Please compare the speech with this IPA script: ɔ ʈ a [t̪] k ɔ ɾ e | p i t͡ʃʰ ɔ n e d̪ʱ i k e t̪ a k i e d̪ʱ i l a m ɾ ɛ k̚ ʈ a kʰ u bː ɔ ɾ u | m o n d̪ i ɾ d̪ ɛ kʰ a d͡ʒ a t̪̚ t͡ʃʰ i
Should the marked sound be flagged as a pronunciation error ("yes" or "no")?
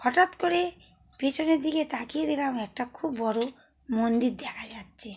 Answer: no